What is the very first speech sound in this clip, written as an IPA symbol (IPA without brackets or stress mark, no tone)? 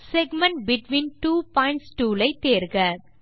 s